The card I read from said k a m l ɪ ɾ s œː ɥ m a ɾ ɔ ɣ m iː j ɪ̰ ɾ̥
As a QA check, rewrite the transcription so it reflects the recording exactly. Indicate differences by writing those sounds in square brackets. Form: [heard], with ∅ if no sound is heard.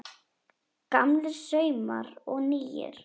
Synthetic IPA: k a m l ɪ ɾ s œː ɥ m a ɾ ɔ ɣ [n] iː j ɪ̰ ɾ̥